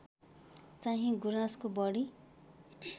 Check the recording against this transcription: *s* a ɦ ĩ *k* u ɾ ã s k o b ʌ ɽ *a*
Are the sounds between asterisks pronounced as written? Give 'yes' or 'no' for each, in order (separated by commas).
no, no, no